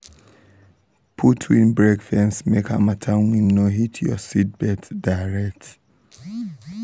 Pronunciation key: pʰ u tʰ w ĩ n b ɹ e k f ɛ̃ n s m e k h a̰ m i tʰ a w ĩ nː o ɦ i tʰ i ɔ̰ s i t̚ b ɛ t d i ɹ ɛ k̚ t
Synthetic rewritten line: pʰ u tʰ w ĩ n b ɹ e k f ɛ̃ n s m e k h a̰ m a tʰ a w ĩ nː o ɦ i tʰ j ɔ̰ s i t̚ b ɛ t d a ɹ ɛ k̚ t